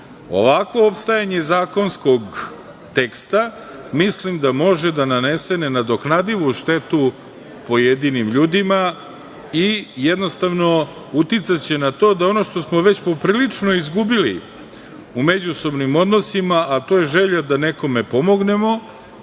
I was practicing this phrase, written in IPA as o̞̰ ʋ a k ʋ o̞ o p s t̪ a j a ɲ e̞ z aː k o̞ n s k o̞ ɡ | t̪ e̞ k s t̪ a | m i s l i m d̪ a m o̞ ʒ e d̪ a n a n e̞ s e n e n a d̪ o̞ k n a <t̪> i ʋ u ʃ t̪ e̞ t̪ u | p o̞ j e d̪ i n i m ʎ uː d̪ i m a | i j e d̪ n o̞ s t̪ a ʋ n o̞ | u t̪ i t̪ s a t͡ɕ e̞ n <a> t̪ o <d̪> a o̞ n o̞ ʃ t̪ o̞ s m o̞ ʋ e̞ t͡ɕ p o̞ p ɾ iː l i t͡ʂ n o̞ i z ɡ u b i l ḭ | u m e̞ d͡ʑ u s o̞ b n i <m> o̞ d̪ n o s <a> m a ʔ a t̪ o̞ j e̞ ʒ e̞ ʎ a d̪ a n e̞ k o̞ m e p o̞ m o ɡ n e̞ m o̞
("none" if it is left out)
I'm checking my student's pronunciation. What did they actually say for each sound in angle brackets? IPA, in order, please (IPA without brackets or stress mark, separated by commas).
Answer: d̪, a, d̪, m, i